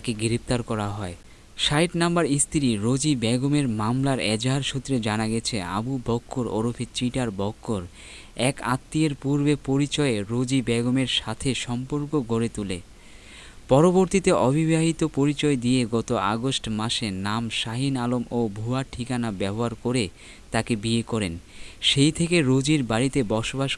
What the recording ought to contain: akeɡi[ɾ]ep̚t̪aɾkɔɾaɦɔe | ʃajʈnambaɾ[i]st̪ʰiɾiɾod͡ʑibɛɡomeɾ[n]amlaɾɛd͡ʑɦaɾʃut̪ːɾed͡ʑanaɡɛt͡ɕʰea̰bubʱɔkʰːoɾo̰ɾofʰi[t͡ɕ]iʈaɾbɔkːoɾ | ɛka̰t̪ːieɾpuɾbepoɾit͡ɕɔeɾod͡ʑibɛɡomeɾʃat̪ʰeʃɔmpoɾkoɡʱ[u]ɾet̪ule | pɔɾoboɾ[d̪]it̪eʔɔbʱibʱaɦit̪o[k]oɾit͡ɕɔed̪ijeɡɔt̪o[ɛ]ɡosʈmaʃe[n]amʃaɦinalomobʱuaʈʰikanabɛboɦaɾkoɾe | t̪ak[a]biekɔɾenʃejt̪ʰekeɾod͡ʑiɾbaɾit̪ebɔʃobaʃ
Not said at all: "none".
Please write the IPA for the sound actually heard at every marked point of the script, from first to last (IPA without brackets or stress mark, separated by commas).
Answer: ɾ, i, m, t͡ɕ, o, t̪, p, a, n, e